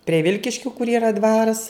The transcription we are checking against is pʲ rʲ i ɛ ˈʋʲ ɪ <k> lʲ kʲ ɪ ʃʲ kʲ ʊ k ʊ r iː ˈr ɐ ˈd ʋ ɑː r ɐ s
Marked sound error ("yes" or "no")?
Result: yes